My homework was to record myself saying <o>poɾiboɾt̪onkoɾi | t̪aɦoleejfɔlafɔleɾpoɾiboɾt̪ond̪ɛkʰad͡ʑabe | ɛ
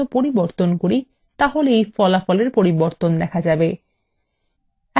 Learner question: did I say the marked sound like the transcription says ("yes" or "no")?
yes